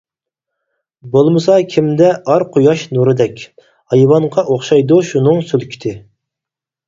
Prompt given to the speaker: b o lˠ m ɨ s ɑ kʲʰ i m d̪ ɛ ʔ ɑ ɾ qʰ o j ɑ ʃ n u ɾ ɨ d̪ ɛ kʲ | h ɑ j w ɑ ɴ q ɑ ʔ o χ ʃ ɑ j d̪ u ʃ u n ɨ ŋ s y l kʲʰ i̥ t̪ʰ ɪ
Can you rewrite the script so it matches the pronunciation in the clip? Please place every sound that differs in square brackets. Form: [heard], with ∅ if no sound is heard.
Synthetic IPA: b o lˠ m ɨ s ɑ kʲʰ i m d̪ ɛ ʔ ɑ ɾ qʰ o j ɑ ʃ n u ɾ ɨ d̪ ɛ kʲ | h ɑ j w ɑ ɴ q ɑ ʔ o χ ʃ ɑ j d̪ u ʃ u n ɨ ŋ s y l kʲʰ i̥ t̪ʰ ɪ